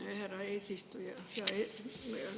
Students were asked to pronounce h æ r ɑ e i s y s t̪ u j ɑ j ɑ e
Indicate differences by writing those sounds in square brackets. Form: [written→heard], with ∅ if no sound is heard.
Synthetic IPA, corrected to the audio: h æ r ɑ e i s [y→i] s t̪ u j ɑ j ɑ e